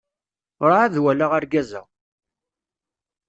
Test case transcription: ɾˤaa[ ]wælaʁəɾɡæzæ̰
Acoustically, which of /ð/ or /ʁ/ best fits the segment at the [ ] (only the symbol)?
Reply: ð